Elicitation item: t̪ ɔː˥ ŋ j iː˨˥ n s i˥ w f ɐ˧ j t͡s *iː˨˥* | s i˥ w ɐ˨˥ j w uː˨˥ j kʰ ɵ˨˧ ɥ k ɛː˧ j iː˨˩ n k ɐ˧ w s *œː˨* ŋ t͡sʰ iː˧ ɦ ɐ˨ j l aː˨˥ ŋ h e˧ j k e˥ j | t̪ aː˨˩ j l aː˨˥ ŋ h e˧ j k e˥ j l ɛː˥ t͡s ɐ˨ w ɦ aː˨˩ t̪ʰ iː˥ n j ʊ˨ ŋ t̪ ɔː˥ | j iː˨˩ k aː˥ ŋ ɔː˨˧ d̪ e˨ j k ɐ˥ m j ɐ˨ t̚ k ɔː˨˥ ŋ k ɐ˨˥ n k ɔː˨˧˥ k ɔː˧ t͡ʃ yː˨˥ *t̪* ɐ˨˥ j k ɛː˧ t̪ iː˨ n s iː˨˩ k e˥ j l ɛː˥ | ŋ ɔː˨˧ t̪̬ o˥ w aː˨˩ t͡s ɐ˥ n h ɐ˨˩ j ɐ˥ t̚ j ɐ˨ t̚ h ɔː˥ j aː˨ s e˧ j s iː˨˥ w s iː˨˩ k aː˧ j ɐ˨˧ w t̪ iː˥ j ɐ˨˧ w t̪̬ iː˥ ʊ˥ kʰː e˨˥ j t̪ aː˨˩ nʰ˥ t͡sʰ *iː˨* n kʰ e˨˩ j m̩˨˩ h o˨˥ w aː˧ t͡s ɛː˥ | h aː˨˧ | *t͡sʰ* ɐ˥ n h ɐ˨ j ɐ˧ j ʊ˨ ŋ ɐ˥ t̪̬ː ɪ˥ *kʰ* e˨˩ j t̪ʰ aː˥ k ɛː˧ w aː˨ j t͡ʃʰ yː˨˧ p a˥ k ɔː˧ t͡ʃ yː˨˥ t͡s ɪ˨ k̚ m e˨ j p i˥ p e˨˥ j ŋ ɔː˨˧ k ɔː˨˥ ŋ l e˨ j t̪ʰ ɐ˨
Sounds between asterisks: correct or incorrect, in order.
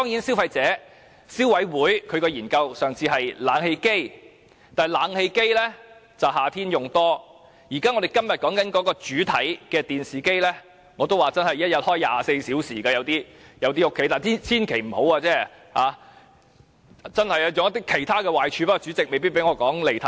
incorrect, correct, incorrect, incorrect, incorrect, correct

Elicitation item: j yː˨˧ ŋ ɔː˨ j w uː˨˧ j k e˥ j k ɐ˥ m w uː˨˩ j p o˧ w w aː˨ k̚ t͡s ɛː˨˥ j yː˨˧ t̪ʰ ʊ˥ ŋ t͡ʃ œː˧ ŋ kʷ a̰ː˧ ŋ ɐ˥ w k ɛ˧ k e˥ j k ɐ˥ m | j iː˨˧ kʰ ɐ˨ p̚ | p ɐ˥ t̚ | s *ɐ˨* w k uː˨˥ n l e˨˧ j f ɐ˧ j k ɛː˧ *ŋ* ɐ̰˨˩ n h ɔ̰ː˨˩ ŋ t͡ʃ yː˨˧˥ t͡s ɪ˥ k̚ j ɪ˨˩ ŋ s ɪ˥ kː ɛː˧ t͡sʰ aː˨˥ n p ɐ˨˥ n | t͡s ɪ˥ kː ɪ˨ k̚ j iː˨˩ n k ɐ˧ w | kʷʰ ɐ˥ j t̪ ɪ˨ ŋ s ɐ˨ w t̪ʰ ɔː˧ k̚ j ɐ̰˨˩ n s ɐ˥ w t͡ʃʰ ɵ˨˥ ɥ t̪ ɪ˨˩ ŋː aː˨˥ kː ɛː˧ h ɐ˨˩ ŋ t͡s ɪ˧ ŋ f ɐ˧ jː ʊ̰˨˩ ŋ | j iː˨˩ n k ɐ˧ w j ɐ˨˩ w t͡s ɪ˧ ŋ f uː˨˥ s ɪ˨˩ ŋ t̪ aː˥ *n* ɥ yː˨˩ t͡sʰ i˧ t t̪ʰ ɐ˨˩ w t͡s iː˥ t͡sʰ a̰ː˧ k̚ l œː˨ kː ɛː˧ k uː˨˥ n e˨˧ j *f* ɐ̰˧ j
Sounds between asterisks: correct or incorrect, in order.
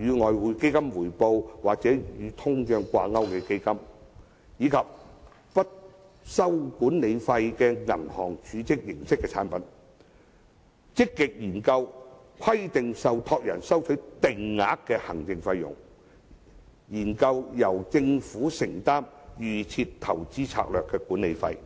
incorrect, correct, incorrect, correct

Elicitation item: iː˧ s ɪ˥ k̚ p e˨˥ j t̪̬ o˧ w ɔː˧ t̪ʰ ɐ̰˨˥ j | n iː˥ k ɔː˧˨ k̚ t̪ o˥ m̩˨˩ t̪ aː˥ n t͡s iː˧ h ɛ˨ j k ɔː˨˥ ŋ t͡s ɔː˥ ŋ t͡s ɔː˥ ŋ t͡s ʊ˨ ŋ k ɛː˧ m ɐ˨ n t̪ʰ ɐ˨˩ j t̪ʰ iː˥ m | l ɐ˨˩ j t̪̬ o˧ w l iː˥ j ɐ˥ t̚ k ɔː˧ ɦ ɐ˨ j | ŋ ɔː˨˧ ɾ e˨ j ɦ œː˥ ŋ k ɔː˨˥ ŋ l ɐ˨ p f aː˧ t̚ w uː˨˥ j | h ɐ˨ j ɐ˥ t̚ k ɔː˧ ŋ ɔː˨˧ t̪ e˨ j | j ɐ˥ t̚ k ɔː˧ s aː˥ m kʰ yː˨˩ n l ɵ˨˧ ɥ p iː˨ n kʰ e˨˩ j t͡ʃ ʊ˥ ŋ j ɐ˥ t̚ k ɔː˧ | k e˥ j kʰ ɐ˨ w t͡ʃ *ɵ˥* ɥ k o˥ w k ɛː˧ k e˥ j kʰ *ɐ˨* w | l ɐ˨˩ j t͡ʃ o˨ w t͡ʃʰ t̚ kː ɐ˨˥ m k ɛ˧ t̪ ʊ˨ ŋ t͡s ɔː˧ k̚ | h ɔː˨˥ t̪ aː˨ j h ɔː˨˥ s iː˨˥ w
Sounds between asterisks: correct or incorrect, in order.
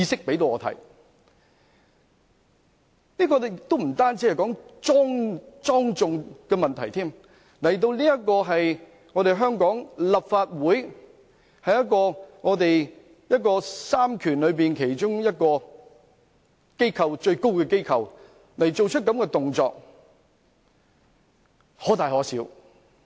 incorrect, correct

